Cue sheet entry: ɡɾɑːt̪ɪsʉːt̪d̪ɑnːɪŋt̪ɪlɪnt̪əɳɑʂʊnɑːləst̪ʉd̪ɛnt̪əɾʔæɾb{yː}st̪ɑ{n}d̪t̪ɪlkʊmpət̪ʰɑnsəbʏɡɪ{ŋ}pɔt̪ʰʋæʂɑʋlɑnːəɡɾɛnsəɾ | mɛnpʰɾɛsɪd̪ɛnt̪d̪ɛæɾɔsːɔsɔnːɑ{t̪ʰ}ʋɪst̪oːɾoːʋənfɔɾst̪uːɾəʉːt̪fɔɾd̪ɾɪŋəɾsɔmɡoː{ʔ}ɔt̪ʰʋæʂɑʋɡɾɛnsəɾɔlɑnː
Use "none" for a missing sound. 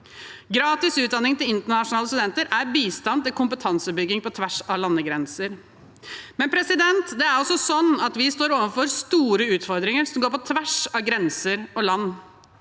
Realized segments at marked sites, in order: iː, n, ŋ, t̪, p

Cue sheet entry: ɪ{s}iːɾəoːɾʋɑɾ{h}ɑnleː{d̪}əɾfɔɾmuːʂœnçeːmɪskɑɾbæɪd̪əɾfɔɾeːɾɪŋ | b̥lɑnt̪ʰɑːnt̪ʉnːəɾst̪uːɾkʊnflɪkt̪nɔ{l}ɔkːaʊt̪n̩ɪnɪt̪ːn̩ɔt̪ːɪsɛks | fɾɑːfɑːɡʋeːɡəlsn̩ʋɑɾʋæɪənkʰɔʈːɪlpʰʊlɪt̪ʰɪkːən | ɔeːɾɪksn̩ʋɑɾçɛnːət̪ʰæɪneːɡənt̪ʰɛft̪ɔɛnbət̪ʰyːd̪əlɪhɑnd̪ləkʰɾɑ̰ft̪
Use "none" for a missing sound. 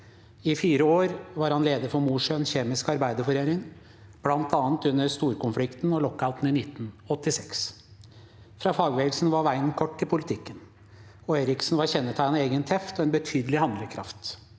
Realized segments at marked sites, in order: f, h, d̪, l

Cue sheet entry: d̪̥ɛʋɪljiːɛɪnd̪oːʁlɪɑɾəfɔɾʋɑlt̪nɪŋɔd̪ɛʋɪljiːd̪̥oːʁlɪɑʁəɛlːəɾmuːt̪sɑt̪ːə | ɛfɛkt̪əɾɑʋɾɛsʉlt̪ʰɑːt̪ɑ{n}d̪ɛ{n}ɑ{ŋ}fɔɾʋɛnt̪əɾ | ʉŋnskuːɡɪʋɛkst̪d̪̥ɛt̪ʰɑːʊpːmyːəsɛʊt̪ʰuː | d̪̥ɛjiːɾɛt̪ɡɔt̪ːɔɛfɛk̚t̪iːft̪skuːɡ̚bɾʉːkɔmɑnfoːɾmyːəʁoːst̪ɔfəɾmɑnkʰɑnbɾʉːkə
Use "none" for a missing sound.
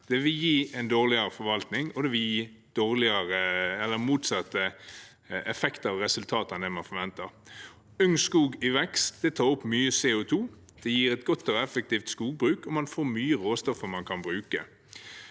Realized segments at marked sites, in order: n, m, n

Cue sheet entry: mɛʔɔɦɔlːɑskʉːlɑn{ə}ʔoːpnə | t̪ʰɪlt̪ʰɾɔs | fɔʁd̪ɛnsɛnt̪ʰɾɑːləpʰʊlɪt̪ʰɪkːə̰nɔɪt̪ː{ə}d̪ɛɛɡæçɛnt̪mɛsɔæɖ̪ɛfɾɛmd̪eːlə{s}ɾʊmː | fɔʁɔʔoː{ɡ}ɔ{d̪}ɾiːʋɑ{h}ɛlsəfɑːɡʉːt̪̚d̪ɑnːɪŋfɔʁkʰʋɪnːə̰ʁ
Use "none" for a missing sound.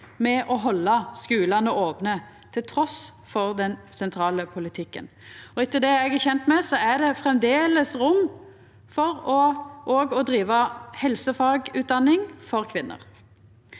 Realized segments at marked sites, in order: ə, ə, s, ɡ, d̪, h

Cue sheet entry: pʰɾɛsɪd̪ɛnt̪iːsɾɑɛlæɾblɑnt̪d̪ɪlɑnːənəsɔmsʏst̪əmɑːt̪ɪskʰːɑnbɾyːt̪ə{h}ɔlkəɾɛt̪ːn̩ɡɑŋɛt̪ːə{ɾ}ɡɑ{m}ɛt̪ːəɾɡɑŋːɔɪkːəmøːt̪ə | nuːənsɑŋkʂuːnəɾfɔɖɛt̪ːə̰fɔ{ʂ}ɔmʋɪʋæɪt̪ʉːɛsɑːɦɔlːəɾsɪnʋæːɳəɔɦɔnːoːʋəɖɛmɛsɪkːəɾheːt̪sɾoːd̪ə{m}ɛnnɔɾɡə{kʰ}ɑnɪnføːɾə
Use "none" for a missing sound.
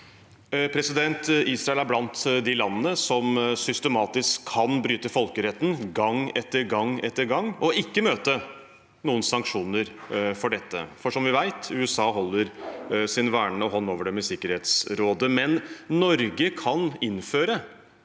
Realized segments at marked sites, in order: f, ɾ, ŋ, ʂ, m, kʰ

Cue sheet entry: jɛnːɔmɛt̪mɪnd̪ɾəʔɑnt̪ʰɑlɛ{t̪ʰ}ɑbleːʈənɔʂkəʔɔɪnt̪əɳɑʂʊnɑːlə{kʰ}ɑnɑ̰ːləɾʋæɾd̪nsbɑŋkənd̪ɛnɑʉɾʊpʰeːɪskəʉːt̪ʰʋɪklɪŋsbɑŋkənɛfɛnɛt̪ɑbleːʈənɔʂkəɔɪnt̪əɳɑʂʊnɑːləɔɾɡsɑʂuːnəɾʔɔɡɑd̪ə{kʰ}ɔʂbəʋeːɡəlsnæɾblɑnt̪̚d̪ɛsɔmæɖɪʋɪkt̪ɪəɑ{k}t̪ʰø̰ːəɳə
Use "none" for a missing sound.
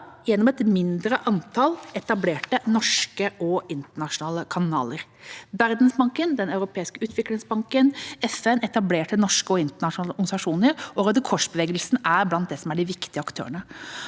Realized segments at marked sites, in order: t̪, kʰ, kʰ, k

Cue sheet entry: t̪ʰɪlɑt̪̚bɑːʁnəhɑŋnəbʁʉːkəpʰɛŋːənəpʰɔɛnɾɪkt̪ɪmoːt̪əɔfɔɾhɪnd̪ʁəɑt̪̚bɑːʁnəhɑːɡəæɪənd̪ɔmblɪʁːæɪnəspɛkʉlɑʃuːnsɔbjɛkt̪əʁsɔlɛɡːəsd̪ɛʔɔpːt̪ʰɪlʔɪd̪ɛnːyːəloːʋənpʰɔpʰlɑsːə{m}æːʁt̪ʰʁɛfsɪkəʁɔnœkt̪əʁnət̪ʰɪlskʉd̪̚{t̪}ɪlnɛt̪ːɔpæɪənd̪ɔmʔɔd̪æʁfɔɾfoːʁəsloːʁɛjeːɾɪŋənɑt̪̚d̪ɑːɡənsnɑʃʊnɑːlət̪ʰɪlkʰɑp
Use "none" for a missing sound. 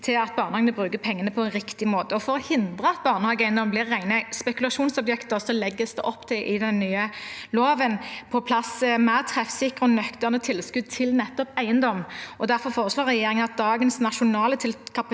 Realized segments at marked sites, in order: m, t̪ʰ

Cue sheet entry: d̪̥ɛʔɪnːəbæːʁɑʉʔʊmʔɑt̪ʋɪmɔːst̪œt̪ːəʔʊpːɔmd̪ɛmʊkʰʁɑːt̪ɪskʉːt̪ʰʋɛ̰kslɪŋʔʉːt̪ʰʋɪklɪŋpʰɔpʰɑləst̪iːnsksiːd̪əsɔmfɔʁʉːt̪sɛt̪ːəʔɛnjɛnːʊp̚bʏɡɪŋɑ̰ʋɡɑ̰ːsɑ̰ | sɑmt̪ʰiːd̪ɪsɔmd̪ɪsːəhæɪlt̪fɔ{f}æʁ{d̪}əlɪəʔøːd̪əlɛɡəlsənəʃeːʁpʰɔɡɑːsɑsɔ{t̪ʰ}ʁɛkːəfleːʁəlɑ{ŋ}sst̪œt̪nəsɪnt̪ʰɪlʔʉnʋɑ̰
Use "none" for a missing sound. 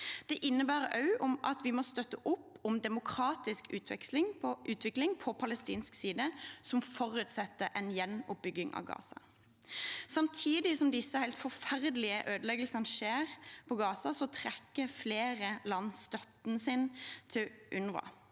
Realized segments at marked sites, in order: f, d̪, t̪ʰ, n

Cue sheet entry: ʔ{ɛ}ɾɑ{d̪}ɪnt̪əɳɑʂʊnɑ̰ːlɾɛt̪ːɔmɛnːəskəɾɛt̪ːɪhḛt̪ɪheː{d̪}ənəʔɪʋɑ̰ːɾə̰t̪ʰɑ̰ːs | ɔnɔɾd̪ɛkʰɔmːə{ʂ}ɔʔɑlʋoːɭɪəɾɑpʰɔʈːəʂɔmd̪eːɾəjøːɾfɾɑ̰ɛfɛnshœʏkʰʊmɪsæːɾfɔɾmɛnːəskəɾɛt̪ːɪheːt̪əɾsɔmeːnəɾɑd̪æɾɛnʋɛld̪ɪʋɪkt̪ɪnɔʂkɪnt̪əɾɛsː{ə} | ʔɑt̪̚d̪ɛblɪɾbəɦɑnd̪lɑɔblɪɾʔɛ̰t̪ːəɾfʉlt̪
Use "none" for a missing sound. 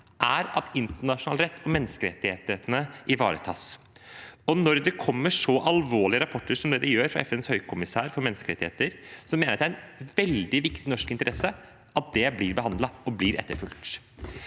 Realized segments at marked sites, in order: æ, t̪, t̪, ʂ, ə

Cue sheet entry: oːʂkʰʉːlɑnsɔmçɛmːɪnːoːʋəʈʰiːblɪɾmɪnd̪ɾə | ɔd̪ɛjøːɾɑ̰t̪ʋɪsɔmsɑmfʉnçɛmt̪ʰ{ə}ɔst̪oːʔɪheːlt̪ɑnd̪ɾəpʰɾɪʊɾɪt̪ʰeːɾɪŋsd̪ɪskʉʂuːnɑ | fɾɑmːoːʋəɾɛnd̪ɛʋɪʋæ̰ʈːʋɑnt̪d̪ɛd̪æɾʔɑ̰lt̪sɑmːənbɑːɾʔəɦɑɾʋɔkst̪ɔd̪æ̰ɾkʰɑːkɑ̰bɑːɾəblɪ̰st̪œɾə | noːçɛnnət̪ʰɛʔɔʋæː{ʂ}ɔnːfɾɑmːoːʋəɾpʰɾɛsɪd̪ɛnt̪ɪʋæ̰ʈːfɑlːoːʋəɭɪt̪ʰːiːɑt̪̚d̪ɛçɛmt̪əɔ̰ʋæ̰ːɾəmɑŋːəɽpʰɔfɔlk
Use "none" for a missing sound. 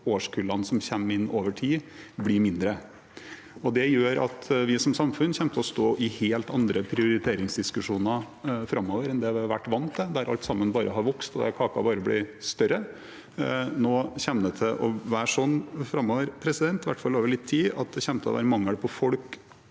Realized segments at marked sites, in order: ə, ʂ

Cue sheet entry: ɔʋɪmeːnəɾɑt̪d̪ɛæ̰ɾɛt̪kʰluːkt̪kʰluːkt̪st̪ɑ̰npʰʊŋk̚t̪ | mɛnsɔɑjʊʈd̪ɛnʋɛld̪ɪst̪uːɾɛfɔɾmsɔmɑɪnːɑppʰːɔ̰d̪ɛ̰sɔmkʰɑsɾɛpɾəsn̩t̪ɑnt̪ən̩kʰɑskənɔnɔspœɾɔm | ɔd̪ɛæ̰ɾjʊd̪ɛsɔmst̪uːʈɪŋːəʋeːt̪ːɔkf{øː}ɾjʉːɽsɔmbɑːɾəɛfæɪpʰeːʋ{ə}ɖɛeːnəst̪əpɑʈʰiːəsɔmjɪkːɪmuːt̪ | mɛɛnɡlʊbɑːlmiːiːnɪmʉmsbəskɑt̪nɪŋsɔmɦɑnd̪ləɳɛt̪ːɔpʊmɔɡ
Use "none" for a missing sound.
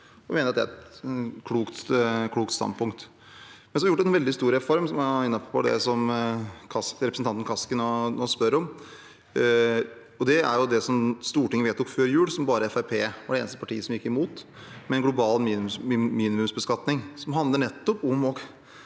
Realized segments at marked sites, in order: øː, ɑ

